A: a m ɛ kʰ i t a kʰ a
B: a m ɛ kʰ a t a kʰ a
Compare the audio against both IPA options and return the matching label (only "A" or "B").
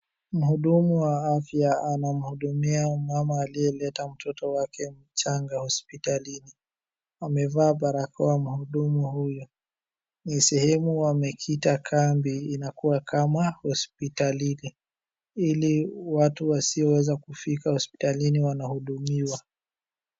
A